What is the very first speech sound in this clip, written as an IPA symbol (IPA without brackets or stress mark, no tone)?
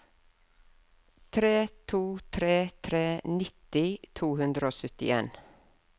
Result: t̪ʰ